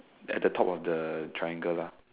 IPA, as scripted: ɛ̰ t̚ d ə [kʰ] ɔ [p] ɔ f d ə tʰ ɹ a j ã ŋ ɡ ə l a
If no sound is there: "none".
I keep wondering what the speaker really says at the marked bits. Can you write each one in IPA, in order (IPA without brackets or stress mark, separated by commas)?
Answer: tʰ, p